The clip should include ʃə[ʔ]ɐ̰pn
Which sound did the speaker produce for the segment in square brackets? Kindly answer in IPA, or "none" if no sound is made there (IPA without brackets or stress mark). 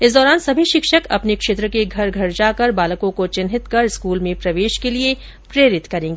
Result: k